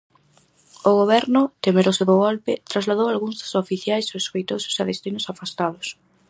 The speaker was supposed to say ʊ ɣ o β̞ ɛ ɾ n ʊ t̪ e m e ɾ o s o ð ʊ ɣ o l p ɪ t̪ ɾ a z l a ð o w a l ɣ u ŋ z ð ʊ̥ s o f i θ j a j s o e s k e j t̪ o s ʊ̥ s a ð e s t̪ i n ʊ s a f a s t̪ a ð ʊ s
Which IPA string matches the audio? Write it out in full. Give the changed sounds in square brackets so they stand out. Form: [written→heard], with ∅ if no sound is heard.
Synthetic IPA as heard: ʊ ɣ o β̞ ɛ ɾ n ʊ t̪ e m e ɾ o s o ð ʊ ɣ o l p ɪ t̪ ɾ a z l a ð o w a l ɣ u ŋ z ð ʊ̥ s o f i θ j a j s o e s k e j t̪ o s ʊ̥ s a ð e s t̪ i n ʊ s a f a s t̪ a ð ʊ s